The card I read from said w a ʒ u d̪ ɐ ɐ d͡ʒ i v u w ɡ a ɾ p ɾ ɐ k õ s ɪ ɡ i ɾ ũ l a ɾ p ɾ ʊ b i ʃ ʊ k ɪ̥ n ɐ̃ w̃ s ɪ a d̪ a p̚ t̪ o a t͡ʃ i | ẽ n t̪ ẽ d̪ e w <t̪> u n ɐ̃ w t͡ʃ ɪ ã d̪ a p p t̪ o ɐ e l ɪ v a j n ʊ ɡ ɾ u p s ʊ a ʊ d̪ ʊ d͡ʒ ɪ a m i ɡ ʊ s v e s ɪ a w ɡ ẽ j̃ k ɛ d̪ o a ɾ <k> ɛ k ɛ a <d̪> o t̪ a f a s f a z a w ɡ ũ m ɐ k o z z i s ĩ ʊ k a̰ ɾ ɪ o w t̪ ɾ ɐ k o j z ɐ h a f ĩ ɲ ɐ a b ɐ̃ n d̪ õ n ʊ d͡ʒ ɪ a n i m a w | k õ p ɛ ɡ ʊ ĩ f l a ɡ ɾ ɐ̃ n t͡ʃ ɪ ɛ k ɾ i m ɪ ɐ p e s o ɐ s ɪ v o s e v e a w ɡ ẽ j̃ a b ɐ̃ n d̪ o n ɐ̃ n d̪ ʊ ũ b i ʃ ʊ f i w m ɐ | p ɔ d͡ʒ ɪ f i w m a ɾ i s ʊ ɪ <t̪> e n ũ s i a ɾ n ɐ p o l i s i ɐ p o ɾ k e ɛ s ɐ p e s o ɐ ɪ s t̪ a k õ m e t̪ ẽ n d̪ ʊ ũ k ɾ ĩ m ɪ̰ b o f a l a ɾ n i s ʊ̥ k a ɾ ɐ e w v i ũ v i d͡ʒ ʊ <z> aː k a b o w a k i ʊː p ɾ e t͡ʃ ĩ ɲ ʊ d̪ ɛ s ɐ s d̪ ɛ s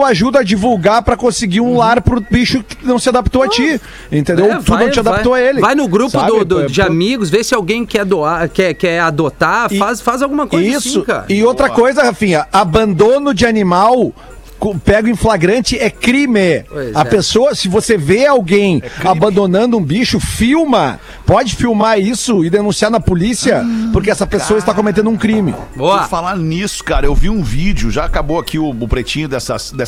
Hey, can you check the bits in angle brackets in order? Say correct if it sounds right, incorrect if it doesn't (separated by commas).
correct, correct, correct, incorrect, incorrect